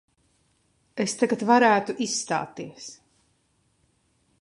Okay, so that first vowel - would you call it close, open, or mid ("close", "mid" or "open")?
mid